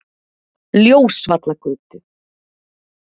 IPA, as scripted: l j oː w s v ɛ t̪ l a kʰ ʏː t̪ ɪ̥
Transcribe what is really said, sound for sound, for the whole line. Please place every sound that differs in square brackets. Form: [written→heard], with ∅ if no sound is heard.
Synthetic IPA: l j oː w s v [ɛ→a] t̪ l a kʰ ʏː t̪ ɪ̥